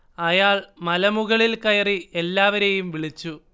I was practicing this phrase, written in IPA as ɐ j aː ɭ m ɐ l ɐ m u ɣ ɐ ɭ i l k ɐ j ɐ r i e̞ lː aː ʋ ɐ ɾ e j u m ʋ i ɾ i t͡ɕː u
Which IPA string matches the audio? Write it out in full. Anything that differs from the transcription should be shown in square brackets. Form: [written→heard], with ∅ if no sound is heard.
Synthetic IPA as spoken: ɐ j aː ɭ m ɐ l ɐ m u ɣ ɐ ɭ i l k ɐ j ɐ r i e̞ lː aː ʋ ɐ ɾ e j u m ʋ i [ɾ→ɭ] i t͡ɕː u

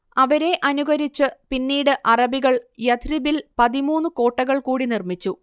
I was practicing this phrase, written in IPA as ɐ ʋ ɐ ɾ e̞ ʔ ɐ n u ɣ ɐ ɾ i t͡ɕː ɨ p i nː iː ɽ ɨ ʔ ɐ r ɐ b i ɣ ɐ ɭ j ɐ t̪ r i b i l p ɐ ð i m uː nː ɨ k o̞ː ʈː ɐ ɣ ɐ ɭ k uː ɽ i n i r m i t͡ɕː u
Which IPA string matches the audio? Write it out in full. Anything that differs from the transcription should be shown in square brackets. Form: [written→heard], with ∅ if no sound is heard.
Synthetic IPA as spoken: ɐ ʋ ɐ ɾ e̞ ʔ ɐ n u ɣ ɐ ɾ i t͡ɕː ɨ p i nː iː ɽ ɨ ʔ ɐ r ɐ b i ɣ ɐ ɭ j ɐ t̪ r i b i l p ɐ ð i m uː nː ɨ k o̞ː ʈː ɐ ɣ ɐ ɭ k uː ɽ i n i r m i t͡ɕː u

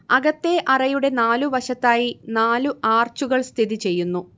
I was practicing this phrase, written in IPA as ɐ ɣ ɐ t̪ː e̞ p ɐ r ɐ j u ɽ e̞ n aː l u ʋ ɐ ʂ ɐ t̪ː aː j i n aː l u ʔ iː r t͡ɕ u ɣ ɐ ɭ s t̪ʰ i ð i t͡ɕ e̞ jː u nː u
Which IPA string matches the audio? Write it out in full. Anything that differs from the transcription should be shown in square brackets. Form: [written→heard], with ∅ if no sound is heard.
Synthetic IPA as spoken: ɐ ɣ ɐ t̪ː e̞ [p→ʔ] ɐ r ɐ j u ɽ e̞ n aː l u ʋ ɐ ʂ ɐ t̪ː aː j i n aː l u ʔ [iː→aː] r t͡ɕ u ɣ ɐ ɭ s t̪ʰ i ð i t͡ɕ e̞ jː u nː u

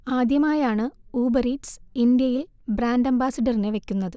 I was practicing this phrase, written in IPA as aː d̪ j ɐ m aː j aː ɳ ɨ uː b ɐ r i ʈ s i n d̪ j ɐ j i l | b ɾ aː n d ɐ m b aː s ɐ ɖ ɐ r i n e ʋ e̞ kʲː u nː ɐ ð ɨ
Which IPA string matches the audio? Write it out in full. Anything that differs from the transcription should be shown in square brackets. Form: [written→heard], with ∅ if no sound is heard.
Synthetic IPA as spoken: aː d̪ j ɐ m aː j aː ɳ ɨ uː b ɐ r i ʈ s i n d̪ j ɐ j i l | b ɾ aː n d ɐ m b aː s ɐ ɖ ɐ r i n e ʋ e̞ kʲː u nː ɐ ð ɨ

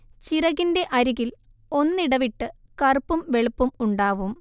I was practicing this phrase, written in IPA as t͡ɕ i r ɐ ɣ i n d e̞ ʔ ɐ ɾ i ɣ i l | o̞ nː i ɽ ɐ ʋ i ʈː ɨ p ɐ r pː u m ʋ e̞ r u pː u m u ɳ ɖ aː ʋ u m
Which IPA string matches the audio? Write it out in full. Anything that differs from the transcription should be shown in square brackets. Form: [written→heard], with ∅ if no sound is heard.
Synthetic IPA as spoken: t͡ɕ i r ɐ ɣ i n d e̞ ʔ ɐ ɾ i ɣ i l | o̞ nː i ɽ ɐ ʋ i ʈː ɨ [p→k] ɐ r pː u m ʋ e̞ [r→ɭ] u pː u m u ɳ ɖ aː ʋ u m

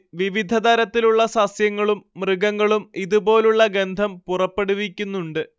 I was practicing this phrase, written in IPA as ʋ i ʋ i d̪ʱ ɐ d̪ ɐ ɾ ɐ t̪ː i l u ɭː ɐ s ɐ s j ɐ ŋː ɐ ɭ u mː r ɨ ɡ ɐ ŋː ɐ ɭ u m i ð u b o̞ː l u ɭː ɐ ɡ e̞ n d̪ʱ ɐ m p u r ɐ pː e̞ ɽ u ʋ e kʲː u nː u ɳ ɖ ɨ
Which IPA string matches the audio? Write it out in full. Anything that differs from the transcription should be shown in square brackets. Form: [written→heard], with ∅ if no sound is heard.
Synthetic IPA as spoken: ʋ i ʋ i d̪ʱ ɐ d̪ ɐ ɾ ɐ t̪ː i l u ɭː ɐ s ɐ s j ɐ ŋː ɐ ɭ u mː r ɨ ɡ ɐ ŋː ɐ ɭ u m i ð u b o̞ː l u ɭː ɐ ɡ e̞ n d̪ʱ ɐ m p u r ɐ pː e̞ ɽ u ʋ [e→i] kʲː u nː u ɳ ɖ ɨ

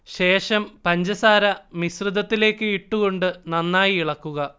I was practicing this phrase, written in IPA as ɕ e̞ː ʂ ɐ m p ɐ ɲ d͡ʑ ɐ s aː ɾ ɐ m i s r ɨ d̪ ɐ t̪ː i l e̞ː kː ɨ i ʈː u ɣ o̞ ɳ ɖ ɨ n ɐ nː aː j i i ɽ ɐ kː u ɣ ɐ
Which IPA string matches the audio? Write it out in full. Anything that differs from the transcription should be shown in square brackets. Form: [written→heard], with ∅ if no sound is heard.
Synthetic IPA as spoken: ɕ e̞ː ʂ ɐ m p ɐ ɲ d͡ʑ ɐ s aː ɾ ɐ m i s r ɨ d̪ ɐ t̪ː i l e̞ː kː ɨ i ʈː u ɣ o̞ ɳ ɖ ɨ n ɐ nː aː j i i [ɽ→ɭ] ɐ kː u ɣ ɐ

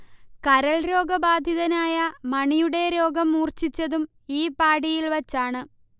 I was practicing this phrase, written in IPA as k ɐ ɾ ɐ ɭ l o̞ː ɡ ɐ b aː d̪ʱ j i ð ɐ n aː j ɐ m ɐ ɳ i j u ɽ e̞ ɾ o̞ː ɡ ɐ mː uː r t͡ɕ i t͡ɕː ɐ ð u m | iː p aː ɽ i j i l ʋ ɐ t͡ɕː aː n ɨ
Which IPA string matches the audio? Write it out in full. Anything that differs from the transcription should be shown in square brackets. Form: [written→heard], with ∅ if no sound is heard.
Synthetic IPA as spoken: k ɐ ɾ ɐ ɭ [l→ɾ] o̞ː ɡ ɐ b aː d̪ʱ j i ð ɐ n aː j ɐ m ɐ ɳ i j u ɽ e̞ ɾ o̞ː ɡ ɐ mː uː r t͡ɕ i t͡ɕː ɐ ð u m | iː p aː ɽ i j i l ʋ ɐ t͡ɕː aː [n→ɳ] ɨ

